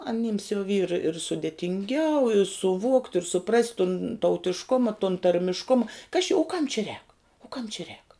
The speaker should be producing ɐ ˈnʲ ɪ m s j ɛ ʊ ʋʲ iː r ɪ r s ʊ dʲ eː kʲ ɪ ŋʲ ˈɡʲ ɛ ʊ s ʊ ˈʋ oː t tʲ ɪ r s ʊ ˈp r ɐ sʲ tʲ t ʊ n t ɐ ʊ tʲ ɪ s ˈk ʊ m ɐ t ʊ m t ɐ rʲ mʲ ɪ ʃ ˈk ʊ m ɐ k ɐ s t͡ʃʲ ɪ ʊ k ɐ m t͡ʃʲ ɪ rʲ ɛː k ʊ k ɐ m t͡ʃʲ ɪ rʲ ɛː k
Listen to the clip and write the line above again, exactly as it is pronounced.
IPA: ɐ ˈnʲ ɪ m s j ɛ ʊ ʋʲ iː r ɪ r s ʊ dʲ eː tʲ ɪ ŋʲ ˈɡʲ ɛ ʊ s ʊ ˈʋ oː k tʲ ɪ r s ʊ ˈp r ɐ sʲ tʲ t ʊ n t ɐ ʊ tʲ ɪ ʃ ˈk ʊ m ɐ t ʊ n t ɐ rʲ mʲ ɪ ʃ ˈk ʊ m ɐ k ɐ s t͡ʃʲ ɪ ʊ k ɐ m t͡ʃʲ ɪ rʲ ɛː k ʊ k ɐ m t͡ʃʲ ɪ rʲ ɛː k